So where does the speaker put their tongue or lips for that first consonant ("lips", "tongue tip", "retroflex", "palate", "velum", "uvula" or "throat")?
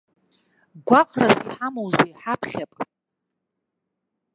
velum